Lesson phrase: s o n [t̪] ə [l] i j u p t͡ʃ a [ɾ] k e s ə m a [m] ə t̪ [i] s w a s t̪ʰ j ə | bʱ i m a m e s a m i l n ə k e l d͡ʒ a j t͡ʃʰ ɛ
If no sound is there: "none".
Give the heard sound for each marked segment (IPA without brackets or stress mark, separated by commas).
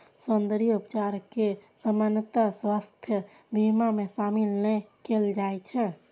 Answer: d̪, ɾ, ɾ, n, a